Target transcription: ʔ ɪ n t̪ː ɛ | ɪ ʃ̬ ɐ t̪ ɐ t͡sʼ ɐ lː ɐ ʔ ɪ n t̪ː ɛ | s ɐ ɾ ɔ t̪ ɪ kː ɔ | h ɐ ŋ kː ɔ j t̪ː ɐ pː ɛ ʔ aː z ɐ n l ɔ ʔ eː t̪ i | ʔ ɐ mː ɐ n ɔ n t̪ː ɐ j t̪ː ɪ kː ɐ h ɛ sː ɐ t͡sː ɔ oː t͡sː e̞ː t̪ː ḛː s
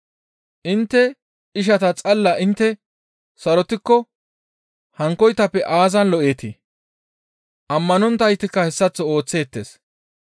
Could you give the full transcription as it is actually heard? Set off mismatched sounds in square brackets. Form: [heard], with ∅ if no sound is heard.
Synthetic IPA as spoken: ʔ ɪ n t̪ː ɛ | ɪ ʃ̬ ɐ t̪ ɐ t͡sʼ ɐ lː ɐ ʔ ɪ n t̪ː ɛ | s ɐ ɾ ɔ t̪ ɪ kː ɔ | h ɐ ŋ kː ɔ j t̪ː ɐ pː ɛ ʔ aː z ɐ n l ɔ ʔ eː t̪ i | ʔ ɐ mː ɐ n ɔ n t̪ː ɐ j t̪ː ɪ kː ɐ h ɛ sː ɐ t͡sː ɔ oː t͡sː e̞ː t̪ː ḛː s